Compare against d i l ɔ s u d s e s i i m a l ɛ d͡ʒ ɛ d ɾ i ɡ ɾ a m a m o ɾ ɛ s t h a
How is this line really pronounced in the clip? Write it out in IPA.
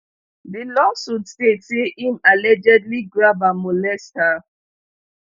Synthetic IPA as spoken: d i l ɔ s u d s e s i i m a l ɛ d͡ʒ ɛ d l i ɡ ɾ a b a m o l ɛ s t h a

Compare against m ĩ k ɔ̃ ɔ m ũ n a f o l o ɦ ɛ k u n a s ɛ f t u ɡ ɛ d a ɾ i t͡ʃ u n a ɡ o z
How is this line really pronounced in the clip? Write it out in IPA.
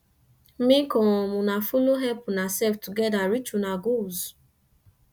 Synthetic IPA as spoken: m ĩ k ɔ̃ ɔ m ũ n a f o l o ɦ ɛ p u n a s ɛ f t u ɡ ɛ d a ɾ i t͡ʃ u n a ɡ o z

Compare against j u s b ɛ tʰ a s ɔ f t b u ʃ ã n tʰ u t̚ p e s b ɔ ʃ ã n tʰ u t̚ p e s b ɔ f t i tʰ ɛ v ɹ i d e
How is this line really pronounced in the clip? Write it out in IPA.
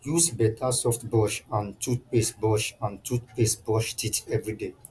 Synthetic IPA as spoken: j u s b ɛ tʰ a s ɔ f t b ɔ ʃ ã n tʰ u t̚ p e s b ɔ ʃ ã n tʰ u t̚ p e s b ɔ ʃ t i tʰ ɛ v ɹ i d e

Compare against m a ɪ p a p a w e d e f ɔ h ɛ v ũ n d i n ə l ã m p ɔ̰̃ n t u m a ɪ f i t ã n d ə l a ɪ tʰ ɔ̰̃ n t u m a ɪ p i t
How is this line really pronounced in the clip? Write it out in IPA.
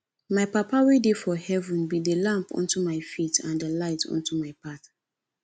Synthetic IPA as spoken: m a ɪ p a p a w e d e f ɔ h ɛ v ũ n b i d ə l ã m p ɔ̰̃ n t u m a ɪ f i t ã n d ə l a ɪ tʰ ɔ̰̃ n t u m a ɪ p a t

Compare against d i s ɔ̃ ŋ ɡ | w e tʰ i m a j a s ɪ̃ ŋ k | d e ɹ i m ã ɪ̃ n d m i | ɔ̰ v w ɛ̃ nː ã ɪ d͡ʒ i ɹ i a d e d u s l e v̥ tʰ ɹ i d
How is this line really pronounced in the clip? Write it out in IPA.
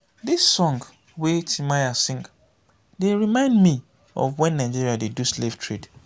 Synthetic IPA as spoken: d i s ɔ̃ ŋ ɡ | w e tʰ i m a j a s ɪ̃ ŋ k | d e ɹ i m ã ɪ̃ n d m i | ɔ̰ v w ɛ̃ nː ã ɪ d͡ʒ i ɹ i a d e d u s l e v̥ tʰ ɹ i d

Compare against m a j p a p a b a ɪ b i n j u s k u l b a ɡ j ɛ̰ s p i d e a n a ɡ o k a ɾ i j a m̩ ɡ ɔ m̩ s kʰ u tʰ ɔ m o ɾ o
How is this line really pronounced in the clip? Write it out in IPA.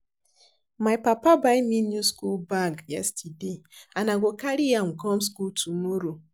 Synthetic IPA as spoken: m a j p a p a b a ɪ m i n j u s k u l b a ɡ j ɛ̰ s t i d e a n a ɡ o k a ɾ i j a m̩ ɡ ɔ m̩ s k u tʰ u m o ɾ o

